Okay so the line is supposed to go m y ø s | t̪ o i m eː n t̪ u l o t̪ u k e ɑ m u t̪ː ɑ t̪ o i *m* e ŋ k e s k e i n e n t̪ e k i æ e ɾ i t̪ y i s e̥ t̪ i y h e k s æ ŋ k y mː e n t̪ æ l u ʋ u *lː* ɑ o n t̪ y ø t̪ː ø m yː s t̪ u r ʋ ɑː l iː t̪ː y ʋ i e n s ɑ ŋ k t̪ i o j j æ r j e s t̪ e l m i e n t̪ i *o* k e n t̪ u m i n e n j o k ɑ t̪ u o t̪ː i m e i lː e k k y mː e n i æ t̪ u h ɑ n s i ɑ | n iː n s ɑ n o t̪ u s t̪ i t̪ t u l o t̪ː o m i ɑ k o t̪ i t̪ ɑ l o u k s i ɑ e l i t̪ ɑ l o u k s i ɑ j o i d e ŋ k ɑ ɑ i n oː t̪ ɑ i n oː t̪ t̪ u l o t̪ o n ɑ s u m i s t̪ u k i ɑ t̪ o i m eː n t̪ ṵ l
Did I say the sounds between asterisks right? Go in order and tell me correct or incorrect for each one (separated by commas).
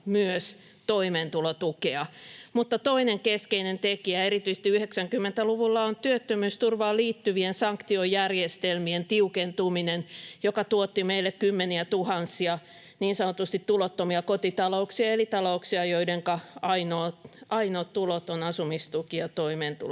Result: incorrect, correct, incorrect